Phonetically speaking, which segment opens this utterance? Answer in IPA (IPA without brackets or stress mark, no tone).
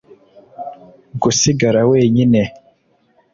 ɡ